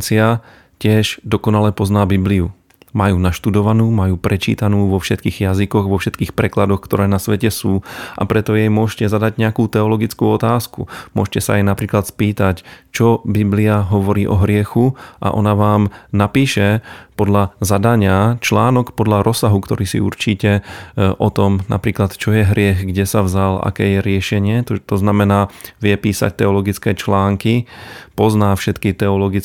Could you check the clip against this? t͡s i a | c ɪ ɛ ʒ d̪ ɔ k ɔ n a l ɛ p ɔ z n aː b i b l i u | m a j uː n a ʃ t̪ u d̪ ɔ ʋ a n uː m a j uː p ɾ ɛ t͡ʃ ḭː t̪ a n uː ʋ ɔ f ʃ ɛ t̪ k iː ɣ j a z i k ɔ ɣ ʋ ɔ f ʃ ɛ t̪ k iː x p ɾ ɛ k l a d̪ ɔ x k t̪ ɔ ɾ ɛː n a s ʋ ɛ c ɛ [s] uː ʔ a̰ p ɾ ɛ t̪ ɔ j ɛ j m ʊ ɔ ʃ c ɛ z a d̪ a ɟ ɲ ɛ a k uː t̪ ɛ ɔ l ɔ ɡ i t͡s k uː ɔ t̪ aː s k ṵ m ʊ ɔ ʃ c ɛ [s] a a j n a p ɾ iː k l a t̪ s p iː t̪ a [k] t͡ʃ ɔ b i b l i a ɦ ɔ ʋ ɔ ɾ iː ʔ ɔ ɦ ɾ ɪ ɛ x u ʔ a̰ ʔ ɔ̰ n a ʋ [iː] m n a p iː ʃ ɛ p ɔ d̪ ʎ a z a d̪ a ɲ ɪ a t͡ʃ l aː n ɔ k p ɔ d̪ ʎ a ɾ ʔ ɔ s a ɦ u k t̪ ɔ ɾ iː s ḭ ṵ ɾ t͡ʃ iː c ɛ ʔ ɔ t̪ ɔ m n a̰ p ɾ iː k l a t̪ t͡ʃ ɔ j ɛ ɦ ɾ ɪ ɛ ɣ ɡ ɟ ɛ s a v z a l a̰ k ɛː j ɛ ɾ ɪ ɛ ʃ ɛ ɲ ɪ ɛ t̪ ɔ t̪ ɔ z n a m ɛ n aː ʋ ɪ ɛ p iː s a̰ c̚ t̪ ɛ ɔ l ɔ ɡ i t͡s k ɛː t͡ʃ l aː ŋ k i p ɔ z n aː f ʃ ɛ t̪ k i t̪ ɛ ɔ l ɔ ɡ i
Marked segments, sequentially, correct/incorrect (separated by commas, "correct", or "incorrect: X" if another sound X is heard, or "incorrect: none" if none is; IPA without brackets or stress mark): correct, correct, incorrect: c, incorrect: aː